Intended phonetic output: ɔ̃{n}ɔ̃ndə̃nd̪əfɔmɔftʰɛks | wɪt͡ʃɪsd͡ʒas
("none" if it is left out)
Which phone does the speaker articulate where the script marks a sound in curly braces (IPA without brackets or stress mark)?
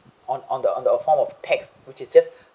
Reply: n